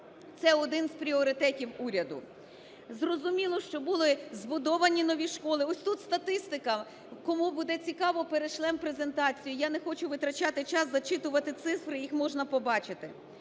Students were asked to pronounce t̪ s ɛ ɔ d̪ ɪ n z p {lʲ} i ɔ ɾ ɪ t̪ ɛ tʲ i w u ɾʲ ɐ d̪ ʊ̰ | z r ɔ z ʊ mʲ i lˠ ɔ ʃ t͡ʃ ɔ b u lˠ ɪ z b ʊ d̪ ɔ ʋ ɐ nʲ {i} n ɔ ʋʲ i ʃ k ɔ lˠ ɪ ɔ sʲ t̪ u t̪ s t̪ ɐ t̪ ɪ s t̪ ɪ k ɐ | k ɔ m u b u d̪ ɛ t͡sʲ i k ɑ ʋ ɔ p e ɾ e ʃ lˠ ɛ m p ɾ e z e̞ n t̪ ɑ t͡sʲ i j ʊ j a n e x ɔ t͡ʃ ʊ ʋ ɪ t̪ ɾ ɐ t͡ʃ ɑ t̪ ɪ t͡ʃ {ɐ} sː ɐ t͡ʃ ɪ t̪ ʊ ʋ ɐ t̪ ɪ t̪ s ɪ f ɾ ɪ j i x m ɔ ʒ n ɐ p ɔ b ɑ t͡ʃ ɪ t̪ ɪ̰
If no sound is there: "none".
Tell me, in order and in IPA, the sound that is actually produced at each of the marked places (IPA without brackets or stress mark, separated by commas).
ɾʲ, i, ɑ